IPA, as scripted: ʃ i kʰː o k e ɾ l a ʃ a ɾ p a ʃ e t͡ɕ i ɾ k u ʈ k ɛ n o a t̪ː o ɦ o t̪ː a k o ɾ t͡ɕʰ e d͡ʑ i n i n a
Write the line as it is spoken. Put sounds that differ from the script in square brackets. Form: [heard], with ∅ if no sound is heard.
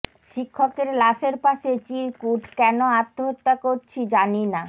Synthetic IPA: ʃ i kʰː o k e ɾ l a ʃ [e] ɾ p a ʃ e t͡ɕ i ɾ k u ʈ k ɛ n o a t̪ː o ɦ o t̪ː a k o ɾ t͡ɕʰ [i] d͡ʑ [a] n i n a